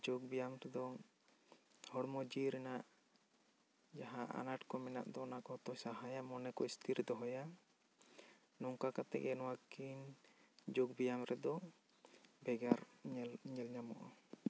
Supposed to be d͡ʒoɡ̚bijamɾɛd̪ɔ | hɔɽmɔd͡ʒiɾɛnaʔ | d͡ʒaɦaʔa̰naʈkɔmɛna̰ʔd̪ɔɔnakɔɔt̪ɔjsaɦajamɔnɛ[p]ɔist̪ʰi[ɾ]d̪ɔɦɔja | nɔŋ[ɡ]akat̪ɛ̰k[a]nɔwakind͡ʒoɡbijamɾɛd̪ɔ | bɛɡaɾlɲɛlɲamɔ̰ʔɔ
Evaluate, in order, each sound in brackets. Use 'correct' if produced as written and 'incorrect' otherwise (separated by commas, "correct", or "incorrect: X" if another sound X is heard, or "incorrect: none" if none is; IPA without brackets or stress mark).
incorrect: k, correct, incorrect: k, incorrect: ɛ